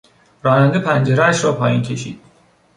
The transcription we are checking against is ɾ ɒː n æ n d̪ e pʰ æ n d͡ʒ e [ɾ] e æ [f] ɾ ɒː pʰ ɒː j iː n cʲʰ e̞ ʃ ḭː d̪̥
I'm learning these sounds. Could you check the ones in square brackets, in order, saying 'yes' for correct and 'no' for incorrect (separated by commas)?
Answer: yes, no